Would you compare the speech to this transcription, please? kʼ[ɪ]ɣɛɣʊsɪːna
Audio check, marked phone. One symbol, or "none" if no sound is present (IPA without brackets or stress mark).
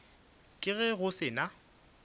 ɪ